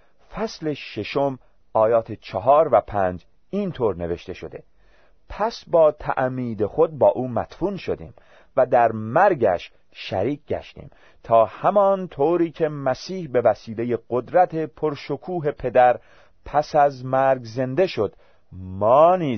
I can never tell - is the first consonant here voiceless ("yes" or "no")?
yes